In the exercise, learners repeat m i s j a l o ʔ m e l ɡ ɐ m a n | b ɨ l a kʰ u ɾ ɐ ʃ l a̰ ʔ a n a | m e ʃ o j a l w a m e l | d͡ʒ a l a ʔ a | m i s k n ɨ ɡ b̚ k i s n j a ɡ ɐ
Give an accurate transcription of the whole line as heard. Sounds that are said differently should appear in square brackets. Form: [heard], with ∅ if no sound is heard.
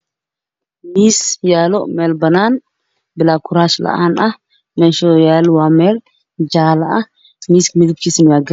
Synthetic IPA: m i s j a l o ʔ m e l [b] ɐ [n] a n | b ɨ l a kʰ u ɾ [a] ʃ l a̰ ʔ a n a | m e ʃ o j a l w a m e l | d͡ʒ a l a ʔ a | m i s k [m] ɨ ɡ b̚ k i s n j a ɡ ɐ